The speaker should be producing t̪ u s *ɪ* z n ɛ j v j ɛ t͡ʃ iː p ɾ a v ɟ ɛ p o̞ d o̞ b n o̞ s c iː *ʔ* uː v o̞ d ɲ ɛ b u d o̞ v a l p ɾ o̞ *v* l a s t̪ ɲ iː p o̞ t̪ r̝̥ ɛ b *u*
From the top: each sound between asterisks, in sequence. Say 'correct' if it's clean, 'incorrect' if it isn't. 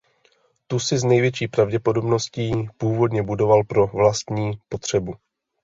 correct, incorrect, correct, correct

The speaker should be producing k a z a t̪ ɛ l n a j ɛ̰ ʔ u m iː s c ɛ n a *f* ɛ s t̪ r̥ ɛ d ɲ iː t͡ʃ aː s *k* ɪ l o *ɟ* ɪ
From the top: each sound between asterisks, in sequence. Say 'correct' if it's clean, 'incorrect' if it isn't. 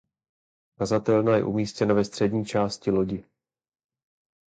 incorrect, incorrect, correct

